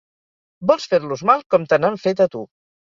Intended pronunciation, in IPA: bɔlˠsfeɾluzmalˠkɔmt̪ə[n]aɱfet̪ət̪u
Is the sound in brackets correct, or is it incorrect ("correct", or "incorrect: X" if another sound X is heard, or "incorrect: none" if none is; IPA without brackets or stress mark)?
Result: correct